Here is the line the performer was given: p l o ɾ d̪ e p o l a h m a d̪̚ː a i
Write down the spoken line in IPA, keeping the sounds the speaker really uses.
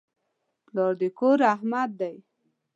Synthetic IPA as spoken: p l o ɾ d̪ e k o ɾ a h m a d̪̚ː a j